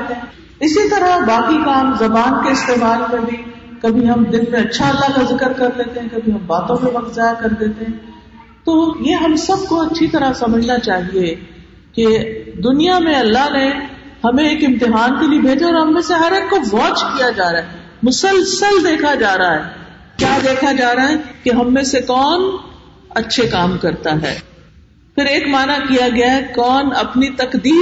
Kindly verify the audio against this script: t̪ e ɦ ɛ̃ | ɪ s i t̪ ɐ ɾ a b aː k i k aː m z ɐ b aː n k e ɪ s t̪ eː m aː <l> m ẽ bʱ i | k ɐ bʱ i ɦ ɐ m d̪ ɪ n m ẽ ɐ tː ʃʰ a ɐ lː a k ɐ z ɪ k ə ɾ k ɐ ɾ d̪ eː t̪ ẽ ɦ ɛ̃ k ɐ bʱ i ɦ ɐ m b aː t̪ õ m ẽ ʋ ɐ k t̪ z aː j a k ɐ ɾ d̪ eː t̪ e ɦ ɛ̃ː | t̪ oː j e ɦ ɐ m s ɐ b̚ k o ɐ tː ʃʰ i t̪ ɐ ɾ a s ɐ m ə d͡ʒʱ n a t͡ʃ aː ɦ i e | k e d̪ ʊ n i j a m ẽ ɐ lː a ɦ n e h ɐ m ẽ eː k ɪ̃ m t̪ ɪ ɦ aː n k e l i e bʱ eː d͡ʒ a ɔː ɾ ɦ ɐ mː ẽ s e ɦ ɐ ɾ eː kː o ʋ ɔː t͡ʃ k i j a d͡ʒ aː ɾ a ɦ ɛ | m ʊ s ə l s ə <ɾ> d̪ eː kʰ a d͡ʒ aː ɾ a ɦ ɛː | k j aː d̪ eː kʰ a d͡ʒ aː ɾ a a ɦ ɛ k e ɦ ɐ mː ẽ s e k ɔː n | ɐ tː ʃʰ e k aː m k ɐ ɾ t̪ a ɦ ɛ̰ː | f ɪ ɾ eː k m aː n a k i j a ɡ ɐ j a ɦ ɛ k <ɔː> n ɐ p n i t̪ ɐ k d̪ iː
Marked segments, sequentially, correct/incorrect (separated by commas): correct, incorrect, correct